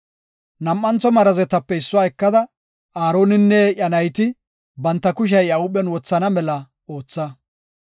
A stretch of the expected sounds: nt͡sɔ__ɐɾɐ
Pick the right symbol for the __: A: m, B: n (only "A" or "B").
A